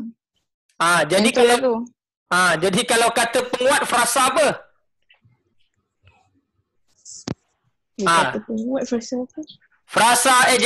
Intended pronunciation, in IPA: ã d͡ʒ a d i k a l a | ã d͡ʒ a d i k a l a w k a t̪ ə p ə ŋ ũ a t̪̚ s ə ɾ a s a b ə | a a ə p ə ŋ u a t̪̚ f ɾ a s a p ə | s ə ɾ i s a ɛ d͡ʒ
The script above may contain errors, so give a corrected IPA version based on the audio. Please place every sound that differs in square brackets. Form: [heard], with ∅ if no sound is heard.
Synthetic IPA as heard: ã d͡ʒ a d i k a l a | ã d͡ʒ a d i k a l a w k a t̪ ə p ə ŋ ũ a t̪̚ [f] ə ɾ a s a b ə | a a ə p ə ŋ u a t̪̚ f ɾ a s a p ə | [f] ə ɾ [a] s a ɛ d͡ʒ